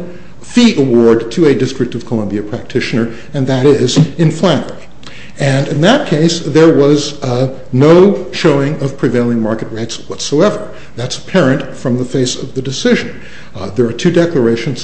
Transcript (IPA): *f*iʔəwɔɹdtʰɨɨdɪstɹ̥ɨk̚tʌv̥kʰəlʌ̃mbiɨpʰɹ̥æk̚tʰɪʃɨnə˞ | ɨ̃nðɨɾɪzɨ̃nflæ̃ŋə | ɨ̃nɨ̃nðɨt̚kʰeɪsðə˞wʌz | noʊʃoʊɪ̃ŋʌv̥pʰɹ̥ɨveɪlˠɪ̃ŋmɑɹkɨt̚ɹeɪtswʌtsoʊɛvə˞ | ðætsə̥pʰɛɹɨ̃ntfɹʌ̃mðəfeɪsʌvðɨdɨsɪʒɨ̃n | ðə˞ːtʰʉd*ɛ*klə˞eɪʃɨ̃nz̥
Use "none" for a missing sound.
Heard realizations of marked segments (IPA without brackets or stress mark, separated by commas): f, ɛ